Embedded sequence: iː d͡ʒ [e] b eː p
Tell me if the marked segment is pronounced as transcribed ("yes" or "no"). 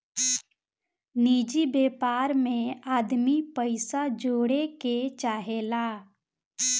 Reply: no